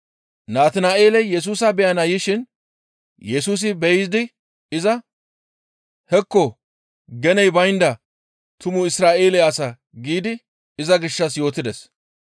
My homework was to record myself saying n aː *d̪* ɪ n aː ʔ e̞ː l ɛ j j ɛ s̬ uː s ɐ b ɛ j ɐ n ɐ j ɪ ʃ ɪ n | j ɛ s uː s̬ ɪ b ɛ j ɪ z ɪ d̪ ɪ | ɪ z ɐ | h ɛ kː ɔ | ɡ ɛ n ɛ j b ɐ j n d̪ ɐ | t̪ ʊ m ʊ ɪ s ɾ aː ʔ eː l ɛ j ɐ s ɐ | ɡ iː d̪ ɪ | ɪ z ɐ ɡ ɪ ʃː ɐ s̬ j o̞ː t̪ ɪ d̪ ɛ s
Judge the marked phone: incorrect: t̪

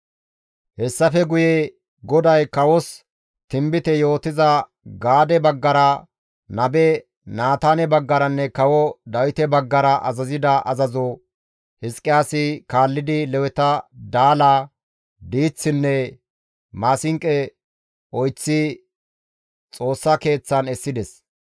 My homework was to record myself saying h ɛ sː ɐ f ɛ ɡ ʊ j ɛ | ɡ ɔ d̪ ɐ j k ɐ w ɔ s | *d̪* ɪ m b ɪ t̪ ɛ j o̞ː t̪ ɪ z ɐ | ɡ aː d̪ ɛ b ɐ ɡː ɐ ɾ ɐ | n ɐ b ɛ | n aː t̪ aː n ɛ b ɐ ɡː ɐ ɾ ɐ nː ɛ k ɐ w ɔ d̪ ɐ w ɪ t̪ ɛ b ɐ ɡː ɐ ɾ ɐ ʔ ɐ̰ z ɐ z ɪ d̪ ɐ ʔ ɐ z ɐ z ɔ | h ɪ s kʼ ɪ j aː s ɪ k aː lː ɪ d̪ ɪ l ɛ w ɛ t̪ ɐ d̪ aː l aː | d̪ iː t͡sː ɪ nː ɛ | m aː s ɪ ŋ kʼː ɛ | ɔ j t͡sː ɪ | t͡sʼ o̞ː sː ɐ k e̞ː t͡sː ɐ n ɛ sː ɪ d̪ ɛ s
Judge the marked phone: incorrect: t̪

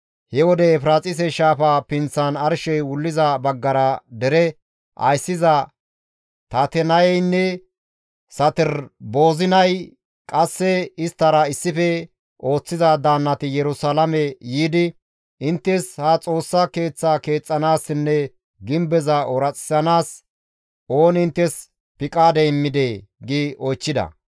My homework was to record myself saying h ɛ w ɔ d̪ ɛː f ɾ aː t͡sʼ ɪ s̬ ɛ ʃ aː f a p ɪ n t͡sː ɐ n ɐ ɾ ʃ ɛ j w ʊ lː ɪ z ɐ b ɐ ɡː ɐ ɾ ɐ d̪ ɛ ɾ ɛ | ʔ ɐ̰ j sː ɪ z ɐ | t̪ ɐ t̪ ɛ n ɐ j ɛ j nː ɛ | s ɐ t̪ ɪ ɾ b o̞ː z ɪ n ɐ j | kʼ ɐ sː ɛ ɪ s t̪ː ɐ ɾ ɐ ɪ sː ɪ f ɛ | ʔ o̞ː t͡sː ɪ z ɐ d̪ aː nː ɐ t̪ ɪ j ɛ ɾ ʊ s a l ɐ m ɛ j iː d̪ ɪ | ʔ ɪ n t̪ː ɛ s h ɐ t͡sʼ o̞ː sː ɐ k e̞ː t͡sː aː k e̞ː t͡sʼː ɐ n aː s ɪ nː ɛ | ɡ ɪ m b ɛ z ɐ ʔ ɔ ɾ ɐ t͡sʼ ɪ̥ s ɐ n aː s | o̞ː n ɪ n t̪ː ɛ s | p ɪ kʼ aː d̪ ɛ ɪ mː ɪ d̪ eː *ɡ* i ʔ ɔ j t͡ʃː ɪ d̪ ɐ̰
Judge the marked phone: correct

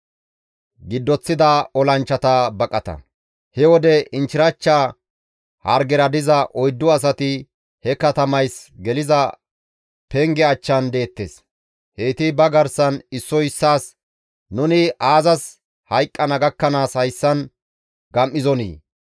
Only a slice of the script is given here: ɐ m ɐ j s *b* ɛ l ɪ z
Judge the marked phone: incorrect: ɡ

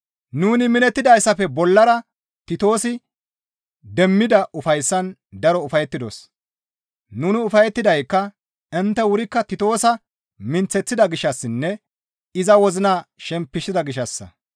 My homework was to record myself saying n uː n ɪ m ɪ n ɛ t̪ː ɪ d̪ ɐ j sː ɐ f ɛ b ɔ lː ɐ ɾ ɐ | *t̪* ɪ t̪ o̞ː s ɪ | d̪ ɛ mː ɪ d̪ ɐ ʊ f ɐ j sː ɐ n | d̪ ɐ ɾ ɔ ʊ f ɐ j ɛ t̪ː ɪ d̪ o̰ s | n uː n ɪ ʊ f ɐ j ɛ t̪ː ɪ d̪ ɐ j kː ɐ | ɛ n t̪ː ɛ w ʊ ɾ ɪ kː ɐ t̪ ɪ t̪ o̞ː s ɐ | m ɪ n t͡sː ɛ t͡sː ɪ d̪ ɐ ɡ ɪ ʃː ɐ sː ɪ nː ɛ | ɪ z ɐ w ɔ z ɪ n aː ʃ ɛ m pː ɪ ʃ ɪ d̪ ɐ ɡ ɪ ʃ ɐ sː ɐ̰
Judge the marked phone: correct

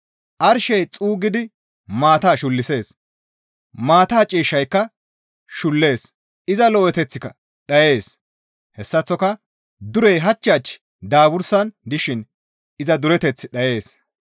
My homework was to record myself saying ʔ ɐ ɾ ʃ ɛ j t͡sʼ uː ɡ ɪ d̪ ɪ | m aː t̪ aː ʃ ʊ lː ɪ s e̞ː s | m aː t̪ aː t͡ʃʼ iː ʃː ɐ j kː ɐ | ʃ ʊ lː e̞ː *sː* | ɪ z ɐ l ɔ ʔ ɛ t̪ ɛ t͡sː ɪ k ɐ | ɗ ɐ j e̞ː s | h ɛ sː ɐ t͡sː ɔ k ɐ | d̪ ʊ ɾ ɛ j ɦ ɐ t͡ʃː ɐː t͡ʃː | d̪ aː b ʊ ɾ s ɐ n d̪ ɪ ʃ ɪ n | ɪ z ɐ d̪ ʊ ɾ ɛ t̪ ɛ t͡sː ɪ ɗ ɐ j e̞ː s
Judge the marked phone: incorrect: s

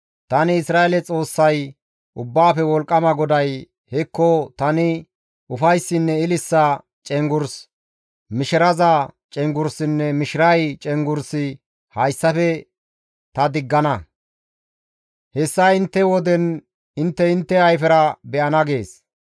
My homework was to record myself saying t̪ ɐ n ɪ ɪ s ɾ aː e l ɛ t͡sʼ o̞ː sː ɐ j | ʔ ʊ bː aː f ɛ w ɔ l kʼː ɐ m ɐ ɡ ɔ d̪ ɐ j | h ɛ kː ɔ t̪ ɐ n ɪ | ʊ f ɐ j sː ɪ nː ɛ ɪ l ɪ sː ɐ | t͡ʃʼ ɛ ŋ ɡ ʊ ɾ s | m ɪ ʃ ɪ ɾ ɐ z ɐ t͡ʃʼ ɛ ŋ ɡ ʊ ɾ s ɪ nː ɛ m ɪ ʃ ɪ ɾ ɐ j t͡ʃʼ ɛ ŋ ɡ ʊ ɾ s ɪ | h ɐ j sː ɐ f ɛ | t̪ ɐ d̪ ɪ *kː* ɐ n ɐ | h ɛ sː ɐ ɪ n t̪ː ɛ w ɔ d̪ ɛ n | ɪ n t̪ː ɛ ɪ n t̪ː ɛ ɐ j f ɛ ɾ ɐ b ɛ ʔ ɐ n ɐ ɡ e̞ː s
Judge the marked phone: incorrect: ɡː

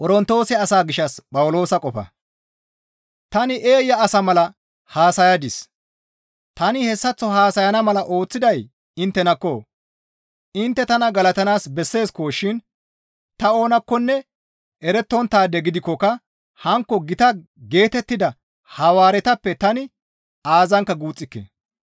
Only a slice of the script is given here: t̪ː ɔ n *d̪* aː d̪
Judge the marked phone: incorrect: t̪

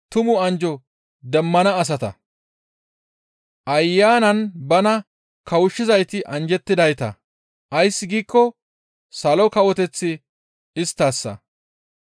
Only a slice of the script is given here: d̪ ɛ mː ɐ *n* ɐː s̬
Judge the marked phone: correct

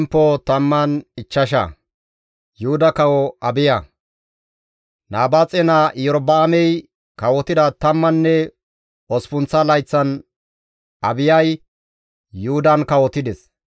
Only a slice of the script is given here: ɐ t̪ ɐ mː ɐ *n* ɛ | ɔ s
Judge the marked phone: incorrect: nː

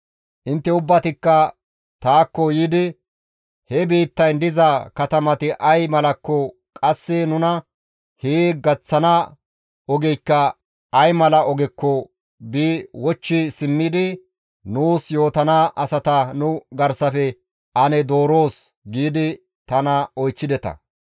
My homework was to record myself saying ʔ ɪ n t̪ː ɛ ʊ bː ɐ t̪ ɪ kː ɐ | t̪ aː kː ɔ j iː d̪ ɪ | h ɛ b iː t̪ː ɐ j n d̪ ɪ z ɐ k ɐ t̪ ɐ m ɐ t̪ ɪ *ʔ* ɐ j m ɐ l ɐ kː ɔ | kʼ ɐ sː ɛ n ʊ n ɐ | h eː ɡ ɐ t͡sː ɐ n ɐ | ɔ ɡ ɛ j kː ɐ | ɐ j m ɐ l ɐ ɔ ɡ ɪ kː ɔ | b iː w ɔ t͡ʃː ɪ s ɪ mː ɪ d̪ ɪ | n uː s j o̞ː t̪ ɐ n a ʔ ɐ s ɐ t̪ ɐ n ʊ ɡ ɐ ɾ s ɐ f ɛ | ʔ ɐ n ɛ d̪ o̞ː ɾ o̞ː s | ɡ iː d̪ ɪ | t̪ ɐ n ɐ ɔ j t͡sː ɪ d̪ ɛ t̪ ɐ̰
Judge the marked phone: correct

